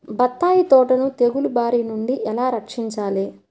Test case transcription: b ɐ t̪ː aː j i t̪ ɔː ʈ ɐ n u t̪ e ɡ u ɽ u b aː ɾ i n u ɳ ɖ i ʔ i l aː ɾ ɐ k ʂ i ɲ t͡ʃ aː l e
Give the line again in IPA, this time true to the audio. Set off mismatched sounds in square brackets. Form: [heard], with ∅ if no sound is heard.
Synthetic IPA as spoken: b ɐ t̪ː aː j i t̪ ɔː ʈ ɐ n u t̪ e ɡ u [l] u b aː ɾ i n u ɳ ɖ i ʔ [ɛ] l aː ɾ ɐ k ʂ i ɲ t͡ʃ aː l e